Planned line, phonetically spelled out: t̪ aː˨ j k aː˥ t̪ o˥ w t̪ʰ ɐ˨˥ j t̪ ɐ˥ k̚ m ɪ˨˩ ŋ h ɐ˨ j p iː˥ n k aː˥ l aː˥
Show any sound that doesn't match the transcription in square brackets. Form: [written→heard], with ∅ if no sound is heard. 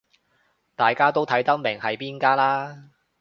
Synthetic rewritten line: t̪ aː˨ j k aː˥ t̪ o˥ w t̪ʰ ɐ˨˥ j t̪ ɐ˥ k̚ m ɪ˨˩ ŋ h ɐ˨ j p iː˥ n k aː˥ l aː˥